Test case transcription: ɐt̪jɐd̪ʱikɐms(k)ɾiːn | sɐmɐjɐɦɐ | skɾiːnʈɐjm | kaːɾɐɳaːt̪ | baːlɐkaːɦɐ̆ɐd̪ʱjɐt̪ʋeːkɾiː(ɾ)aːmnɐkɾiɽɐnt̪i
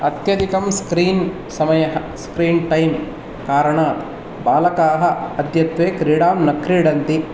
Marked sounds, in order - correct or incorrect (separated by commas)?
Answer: correct, incorrect